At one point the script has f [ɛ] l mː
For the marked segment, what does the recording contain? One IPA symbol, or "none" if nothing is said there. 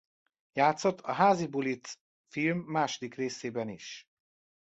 i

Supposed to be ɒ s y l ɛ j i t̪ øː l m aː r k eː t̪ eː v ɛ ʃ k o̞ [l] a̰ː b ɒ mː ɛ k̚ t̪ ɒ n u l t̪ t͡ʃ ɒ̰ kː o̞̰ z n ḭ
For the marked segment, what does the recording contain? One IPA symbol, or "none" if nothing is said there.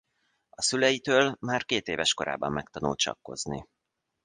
ɾ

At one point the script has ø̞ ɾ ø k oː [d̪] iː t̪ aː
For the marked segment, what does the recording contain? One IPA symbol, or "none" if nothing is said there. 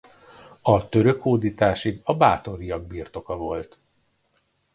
d̪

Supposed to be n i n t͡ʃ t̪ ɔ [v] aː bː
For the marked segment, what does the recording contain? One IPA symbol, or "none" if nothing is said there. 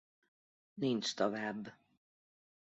v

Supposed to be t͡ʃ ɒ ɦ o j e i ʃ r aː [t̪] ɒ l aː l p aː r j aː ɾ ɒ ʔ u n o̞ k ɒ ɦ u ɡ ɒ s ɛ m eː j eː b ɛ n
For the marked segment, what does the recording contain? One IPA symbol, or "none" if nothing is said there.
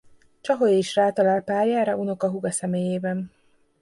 t̪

